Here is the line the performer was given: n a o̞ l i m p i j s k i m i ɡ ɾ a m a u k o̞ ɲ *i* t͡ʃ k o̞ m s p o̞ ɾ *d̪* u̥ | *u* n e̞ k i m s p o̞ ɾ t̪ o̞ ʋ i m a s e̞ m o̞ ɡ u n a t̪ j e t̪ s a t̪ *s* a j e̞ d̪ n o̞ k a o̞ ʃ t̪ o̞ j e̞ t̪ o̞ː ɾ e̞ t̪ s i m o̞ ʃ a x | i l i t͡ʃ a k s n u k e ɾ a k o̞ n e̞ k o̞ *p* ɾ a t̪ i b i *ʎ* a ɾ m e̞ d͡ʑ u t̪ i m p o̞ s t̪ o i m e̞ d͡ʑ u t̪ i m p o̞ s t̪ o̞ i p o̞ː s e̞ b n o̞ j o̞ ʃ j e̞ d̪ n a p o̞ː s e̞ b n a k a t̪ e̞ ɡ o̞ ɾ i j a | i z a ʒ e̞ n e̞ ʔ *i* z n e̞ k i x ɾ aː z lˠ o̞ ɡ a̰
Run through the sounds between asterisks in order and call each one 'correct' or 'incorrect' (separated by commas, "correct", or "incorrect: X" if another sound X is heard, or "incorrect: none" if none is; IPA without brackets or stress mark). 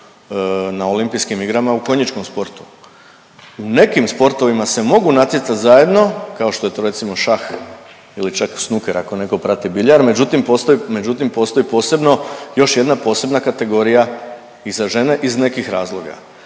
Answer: correct, incorrect: t̪, correct, incorrect: z, correct, correct, correct